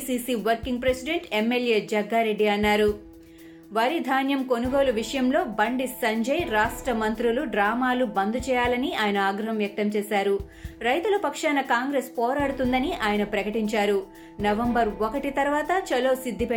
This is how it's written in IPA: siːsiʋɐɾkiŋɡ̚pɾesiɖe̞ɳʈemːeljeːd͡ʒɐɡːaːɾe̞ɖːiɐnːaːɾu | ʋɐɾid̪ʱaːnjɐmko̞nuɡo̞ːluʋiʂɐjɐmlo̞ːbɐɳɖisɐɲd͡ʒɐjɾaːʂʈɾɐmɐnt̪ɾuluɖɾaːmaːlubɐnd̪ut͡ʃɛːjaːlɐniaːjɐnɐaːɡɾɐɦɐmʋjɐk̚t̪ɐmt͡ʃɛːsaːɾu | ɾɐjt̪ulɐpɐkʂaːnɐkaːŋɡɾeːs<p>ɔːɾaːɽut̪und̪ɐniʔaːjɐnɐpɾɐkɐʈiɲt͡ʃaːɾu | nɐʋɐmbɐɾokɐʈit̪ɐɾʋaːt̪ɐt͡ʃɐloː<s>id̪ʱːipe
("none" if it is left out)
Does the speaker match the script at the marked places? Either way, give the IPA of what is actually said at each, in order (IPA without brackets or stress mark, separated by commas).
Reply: p, s